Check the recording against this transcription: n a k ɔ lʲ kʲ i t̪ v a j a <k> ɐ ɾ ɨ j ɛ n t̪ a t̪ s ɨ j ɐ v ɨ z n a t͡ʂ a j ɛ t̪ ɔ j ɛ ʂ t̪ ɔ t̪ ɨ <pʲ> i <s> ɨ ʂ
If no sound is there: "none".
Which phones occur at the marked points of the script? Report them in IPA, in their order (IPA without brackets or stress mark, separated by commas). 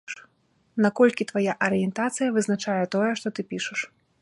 ʔ, pʲ, ʂ